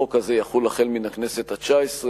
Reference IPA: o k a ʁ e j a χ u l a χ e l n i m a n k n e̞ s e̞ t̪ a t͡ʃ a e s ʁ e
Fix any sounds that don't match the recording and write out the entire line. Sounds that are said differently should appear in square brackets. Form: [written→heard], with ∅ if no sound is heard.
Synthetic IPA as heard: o k a [ʁ→z] e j a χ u l a χ e l [n→m] i [m→n] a [n→∅] k n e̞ s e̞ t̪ a t͡ʃ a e s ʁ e